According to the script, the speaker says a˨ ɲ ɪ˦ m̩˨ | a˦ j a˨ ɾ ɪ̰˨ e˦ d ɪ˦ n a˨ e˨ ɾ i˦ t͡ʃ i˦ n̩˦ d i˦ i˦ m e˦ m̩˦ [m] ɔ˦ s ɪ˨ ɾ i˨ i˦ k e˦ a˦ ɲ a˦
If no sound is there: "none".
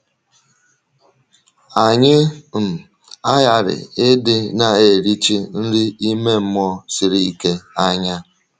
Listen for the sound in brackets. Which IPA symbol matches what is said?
m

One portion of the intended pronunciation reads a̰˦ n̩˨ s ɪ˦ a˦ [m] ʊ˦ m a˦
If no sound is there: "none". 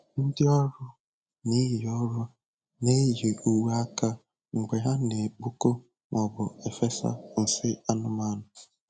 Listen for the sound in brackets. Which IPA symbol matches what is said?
n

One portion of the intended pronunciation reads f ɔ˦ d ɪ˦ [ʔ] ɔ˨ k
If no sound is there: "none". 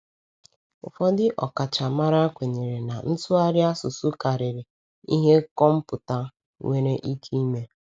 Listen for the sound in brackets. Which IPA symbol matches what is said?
ʔ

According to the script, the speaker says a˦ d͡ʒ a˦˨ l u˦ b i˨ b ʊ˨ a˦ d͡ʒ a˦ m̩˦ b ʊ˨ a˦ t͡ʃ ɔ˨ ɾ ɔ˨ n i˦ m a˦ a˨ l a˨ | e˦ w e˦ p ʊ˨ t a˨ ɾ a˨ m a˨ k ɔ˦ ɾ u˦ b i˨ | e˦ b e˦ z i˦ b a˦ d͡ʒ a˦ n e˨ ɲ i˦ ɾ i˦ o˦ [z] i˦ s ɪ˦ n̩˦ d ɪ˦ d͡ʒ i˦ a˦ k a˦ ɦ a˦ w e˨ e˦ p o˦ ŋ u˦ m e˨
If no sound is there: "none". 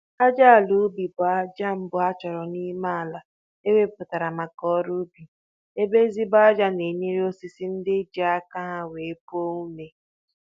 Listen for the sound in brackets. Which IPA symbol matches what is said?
s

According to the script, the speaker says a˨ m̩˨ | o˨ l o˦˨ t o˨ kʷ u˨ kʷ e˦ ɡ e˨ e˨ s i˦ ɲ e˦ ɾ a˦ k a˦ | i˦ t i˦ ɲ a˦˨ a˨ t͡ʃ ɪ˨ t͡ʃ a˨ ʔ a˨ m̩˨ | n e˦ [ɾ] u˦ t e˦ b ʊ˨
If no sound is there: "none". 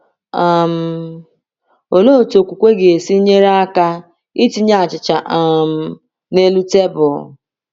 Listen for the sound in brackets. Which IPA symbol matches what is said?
l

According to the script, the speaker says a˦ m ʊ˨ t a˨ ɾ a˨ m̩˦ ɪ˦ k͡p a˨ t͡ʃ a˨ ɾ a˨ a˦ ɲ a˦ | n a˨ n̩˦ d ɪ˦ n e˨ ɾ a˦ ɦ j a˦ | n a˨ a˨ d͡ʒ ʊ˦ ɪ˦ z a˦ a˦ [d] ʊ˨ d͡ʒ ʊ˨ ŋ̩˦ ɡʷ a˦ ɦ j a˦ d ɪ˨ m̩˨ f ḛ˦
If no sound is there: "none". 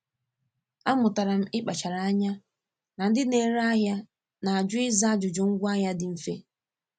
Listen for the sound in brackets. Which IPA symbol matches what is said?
d͡ʒ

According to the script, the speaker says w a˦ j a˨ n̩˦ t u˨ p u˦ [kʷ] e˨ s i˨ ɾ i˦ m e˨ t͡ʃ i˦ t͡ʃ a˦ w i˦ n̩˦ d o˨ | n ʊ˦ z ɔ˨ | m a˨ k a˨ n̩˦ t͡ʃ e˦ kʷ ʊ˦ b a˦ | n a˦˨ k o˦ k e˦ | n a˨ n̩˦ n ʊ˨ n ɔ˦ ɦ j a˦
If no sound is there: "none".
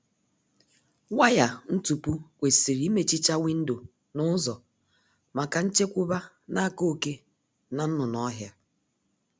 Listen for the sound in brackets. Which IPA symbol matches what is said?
kʷ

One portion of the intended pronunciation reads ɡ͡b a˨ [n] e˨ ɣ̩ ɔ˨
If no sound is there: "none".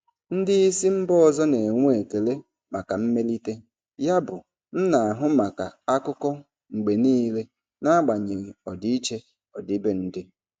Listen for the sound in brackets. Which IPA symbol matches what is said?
ɲ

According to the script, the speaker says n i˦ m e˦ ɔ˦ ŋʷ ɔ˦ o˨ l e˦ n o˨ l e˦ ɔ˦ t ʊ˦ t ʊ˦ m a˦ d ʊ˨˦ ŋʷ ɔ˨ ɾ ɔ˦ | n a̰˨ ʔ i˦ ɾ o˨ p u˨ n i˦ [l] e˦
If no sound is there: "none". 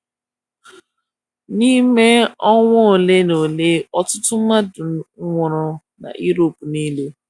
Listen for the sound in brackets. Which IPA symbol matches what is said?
l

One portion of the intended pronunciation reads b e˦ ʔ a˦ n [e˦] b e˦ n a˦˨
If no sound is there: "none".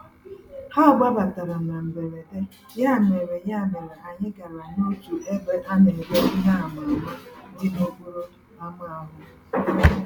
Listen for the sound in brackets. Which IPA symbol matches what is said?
e˨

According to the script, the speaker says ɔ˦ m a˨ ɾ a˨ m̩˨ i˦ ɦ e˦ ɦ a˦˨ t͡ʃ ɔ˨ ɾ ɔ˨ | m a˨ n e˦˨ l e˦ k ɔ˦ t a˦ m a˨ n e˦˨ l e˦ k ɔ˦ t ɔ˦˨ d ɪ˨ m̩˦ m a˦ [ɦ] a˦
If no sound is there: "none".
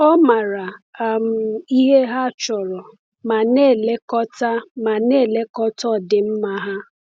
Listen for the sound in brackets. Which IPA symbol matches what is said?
ɦ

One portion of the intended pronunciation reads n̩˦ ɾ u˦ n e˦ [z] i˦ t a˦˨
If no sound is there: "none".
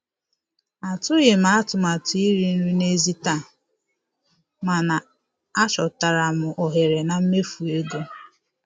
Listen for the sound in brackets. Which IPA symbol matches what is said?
z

